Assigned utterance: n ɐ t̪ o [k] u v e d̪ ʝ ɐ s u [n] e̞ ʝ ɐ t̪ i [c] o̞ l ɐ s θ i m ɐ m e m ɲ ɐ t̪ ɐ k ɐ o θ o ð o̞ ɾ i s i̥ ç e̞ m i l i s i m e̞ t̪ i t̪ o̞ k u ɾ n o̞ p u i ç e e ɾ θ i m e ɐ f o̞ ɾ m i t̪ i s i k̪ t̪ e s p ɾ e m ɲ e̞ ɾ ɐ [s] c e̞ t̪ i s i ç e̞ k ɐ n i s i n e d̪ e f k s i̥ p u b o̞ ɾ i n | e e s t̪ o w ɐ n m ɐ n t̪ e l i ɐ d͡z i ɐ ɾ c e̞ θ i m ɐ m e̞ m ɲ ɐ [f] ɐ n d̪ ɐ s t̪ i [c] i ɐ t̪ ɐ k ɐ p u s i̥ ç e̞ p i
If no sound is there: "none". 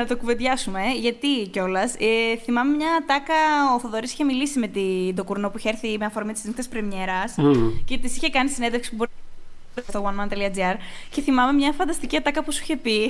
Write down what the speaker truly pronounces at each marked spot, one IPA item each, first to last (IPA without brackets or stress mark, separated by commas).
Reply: k, m, c, s, f, c